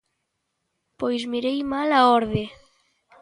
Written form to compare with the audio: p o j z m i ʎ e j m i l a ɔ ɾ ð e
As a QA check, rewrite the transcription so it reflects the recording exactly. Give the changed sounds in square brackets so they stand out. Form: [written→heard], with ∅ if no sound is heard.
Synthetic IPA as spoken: p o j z m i [ʎ→ɾ] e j m [i→a] l a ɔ ɾ ð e